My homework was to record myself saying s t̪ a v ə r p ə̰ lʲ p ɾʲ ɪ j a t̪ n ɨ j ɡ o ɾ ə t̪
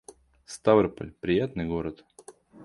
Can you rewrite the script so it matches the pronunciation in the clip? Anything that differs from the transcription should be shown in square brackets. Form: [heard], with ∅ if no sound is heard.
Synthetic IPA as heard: s t̪ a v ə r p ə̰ lʲ p ɾʲ ɪ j a t̪ n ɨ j ɡ o ɾ ə t̪